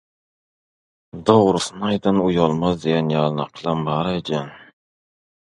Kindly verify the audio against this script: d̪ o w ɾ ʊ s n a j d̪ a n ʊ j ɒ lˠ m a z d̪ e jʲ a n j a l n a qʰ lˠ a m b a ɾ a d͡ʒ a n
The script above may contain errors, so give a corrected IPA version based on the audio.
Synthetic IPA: d̪ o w ɾ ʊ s n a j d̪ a n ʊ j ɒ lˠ m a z d̪ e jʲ a n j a l n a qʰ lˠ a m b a ɾ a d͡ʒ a n